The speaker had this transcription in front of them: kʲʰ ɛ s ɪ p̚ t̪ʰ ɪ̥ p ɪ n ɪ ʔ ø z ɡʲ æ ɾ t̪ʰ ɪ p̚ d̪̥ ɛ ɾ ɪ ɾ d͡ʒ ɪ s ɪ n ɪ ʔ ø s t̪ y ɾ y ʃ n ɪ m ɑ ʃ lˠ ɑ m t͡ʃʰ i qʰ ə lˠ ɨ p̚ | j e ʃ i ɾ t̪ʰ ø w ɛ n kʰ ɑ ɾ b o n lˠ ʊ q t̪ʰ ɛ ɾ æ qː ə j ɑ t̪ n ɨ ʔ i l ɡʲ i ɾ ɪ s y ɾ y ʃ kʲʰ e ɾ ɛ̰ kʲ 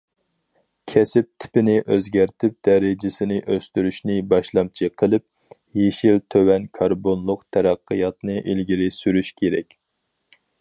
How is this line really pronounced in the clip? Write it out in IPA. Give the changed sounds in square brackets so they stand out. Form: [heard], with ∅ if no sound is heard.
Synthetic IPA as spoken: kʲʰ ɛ s ɪ p̚ t̪ʰ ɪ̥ p ɪ n ɪ ʔ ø z ɡʲ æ ɾ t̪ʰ ɪ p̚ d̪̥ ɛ ɾ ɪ [∅] d͡ʒ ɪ s ɪ n ɪ ʔ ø s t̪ y ɾ y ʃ n ɪ [b] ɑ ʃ lˠ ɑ m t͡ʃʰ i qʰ ə lˠ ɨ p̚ | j e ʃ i [l] t̪ʰ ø w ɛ n kʰ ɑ ɾ b o n lˠ ʊ q t̪ʰ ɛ ɾ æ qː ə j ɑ t̪ n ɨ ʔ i l ɡʲ i ɾ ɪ s y ɾ y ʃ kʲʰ e ɾ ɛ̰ kʲ